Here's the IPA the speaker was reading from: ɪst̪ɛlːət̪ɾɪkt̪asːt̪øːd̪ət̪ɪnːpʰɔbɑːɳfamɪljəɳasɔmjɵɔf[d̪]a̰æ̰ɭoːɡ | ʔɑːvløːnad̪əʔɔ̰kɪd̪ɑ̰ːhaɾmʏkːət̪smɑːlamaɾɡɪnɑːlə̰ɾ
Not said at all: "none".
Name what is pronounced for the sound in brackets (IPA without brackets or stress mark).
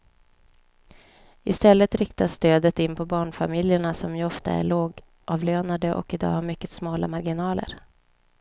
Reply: t̪